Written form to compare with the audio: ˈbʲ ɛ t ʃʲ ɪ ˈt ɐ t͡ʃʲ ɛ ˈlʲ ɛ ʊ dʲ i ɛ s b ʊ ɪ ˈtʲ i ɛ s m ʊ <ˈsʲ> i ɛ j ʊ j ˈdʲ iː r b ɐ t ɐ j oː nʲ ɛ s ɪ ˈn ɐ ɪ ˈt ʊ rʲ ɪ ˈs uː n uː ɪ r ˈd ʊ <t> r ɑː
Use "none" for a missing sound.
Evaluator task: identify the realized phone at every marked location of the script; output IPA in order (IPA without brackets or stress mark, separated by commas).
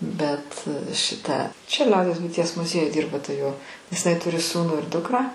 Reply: zʲ, k